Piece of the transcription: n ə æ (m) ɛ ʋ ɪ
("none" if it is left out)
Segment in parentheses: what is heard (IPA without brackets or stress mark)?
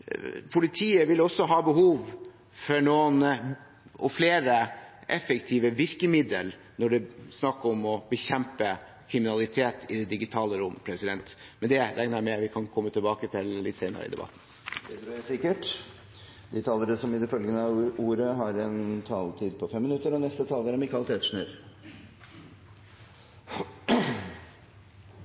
m